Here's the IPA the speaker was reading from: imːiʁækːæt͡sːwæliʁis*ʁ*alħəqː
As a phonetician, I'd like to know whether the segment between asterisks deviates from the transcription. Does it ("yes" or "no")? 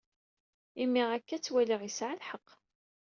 yes